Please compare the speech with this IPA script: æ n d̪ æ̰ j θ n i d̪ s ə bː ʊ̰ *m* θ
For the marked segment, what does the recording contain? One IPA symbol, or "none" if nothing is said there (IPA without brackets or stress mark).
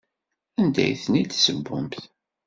m